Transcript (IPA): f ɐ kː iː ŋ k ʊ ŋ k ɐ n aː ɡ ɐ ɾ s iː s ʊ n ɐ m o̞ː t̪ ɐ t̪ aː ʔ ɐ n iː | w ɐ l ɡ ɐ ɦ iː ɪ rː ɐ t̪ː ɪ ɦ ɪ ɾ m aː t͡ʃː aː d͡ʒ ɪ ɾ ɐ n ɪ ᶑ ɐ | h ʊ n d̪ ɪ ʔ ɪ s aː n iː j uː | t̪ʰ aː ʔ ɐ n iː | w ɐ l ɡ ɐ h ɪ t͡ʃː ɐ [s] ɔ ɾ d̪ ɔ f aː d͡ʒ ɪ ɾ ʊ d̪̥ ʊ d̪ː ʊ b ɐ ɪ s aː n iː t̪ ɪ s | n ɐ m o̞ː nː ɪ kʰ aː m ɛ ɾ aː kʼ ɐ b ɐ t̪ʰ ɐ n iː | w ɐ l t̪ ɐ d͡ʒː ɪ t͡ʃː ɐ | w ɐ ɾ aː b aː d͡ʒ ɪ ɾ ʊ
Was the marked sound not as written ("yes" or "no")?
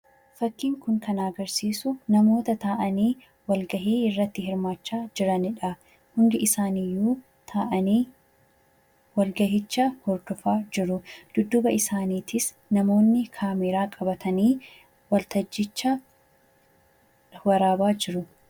yes